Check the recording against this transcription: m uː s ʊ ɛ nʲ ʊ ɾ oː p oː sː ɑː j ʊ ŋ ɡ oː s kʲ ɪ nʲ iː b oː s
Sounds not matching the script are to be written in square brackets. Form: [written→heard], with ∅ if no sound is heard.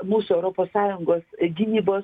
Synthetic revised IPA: m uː s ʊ ɛ [nʲ→∅] ʊ ɾ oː p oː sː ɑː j ʊ ŋ ɡ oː s [kʲ→ɡʲ] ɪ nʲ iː b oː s